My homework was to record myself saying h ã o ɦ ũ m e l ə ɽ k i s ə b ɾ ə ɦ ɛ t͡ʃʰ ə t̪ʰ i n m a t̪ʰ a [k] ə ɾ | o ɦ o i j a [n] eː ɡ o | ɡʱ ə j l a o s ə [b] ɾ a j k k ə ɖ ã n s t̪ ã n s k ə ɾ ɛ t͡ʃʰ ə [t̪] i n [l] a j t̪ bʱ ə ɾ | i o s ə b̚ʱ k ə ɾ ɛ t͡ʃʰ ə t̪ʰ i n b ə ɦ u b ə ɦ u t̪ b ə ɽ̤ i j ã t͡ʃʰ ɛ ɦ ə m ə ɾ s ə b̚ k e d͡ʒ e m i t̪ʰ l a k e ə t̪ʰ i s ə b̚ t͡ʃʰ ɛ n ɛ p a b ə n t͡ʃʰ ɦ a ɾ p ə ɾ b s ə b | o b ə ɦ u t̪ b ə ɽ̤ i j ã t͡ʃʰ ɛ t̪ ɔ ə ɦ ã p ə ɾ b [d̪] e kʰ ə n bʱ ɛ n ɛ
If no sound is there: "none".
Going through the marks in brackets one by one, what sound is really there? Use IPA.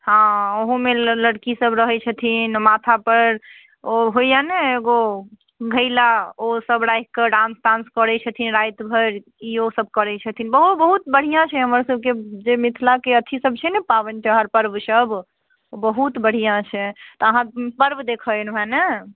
p, n, b, t̪ʰ, ɾ, d̪

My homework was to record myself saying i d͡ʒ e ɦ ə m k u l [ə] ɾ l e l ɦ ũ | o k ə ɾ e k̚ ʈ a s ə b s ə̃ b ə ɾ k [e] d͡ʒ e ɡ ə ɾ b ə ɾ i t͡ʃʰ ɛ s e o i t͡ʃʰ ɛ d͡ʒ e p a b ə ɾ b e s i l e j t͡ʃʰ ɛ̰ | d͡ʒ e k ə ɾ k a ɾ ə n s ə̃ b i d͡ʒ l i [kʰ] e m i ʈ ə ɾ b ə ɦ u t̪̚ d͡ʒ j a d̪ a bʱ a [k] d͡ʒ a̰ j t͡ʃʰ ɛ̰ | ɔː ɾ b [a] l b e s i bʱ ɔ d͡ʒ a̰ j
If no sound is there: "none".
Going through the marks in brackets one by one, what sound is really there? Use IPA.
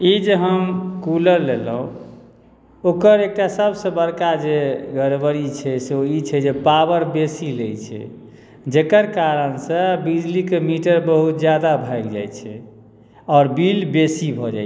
ə, a, k, ɡ, i

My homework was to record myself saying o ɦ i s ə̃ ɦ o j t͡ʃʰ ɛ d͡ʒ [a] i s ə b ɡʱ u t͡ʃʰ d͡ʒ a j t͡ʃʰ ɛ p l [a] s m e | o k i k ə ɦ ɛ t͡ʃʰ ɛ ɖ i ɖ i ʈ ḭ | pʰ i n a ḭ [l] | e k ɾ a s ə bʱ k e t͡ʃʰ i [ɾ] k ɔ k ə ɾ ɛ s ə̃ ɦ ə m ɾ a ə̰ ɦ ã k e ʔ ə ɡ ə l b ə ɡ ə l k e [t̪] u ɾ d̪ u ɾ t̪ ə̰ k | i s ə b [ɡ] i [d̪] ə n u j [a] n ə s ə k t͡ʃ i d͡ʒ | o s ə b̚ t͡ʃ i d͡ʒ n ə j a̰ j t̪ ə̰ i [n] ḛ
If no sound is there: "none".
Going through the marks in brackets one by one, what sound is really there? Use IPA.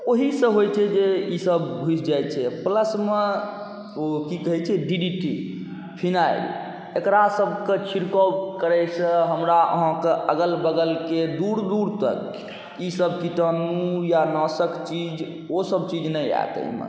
e, ə, l, ɾ, d̪, k, t̪, a, m

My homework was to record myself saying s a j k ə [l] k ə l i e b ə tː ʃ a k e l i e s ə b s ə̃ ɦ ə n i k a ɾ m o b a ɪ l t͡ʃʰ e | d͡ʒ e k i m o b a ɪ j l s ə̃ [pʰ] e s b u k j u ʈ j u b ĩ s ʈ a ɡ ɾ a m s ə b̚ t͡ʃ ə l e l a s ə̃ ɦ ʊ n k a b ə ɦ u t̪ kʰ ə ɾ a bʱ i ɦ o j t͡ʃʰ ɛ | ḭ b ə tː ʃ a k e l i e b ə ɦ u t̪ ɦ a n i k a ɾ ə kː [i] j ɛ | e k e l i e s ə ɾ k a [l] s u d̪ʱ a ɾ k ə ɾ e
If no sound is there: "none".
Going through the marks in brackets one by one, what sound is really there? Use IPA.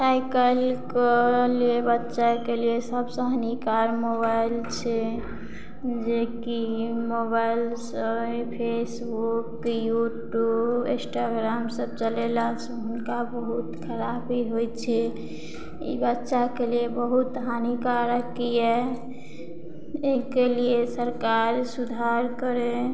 l, pʰ, i, ɾ

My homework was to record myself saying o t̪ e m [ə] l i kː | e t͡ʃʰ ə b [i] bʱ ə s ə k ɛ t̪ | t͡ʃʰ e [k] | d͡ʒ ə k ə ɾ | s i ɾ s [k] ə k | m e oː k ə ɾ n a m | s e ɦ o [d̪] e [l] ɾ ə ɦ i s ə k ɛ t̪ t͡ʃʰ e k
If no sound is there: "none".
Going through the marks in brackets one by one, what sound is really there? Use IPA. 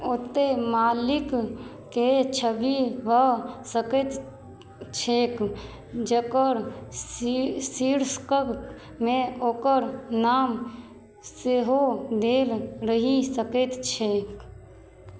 a, i, k, k, d̪, l

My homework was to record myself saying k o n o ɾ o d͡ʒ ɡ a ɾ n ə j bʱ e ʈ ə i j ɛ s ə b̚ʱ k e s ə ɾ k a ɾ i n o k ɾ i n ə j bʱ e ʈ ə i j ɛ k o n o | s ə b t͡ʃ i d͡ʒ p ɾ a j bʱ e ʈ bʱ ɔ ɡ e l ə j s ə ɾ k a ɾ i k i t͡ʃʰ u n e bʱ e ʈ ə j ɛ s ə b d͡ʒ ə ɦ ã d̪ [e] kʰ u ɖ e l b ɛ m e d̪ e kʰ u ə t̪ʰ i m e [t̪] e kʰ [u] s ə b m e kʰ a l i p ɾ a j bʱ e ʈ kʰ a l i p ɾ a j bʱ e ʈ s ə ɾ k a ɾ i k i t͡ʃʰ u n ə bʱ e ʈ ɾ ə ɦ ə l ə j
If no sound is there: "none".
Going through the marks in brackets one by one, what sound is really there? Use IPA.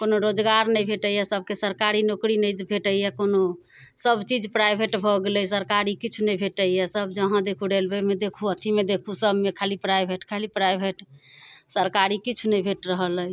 e, d̪, u

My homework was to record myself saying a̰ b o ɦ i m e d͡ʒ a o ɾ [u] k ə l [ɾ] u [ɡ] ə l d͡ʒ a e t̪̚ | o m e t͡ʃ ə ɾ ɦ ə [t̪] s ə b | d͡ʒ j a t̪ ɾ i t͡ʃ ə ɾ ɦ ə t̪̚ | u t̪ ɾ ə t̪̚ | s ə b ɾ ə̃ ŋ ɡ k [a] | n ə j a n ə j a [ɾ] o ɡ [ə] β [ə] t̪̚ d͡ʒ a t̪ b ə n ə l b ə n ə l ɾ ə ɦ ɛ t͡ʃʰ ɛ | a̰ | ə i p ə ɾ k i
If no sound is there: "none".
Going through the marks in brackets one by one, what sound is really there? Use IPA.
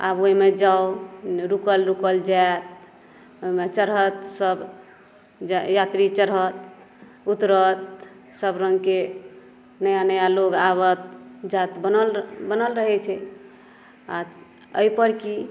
u, ɾ, k, t̪, e, l, a, ə

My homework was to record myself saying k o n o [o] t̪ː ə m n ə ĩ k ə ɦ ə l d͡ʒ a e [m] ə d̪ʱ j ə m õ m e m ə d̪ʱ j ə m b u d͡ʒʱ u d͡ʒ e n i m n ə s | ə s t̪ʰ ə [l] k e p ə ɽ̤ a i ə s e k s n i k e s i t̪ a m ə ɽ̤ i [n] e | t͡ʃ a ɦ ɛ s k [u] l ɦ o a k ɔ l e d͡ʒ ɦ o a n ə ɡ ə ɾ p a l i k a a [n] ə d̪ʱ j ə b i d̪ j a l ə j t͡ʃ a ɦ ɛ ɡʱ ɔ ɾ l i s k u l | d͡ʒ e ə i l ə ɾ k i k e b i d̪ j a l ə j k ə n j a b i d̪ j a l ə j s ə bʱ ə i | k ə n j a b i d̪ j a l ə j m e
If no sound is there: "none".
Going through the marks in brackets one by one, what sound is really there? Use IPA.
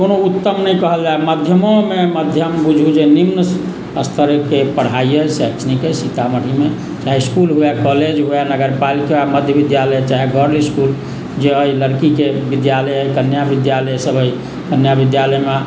u, m, ɾ, m, u, m

